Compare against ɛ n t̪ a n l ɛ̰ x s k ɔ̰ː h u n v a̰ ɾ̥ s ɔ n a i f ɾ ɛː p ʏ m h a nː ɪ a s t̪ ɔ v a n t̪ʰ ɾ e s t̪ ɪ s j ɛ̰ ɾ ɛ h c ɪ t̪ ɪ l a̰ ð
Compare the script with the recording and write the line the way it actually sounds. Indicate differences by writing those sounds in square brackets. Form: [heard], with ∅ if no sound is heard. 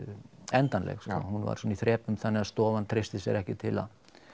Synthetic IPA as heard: ɛ n t̪ a n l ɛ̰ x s k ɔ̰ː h u n v a̰ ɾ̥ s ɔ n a i [θ] ɾ ɛː p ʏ m [θ] a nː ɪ a s t̪ [ɔː] v a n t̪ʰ ɾ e s t̪ ɪ s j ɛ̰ ɾ ɛ h c ɪ [t̪ʰ] ɪ l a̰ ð